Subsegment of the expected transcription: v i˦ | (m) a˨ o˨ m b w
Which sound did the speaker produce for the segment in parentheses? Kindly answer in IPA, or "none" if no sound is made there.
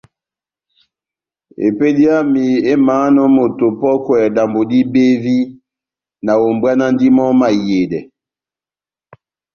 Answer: n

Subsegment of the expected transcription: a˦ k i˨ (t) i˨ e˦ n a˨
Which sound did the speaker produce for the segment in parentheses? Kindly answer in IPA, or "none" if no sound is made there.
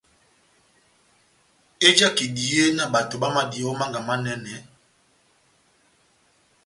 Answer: d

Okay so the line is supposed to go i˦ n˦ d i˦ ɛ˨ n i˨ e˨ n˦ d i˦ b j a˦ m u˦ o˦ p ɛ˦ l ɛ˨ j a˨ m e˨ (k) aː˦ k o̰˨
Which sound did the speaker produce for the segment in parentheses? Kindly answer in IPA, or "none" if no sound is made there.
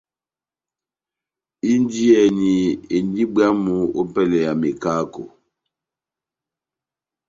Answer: k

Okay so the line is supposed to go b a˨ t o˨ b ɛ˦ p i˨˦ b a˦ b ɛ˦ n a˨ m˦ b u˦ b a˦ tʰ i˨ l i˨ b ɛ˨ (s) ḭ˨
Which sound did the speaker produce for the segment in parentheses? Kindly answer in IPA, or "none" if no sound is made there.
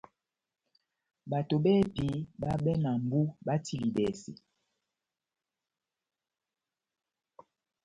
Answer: s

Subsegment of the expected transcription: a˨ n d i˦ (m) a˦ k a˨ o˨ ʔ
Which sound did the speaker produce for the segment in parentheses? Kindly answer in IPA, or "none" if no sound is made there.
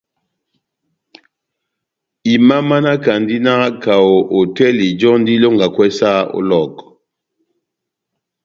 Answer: n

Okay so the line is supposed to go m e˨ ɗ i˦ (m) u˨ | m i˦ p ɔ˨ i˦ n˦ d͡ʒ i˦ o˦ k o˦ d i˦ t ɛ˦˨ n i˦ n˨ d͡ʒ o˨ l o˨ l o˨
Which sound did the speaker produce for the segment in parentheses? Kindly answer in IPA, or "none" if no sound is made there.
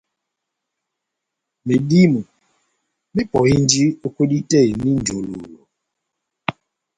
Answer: m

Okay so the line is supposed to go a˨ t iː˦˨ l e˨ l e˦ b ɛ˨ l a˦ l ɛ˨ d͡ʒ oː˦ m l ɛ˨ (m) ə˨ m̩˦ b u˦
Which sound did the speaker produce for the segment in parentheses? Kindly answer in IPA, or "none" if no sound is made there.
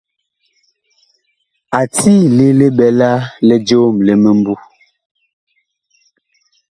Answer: m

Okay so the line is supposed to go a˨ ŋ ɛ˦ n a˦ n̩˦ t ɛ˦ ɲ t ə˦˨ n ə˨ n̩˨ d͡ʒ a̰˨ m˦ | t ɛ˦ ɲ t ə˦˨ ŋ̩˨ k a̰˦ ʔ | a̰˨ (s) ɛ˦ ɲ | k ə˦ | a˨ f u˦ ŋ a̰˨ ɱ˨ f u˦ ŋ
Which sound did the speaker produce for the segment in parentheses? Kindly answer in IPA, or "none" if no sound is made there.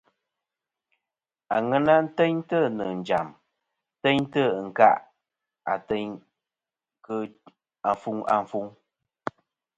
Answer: t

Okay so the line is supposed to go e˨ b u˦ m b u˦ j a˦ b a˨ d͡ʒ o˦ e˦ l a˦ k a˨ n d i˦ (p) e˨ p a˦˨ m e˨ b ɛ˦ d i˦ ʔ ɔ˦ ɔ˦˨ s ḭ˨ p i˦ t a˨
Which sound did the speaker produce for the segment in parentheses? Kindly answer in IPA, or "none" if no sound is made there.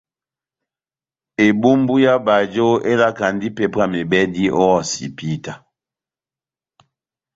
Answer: p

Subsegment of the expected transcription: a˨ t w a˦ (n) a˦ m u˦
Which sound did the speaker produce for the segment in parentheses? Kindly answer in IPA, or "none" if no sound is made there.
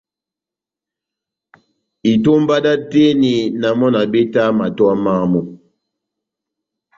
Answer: m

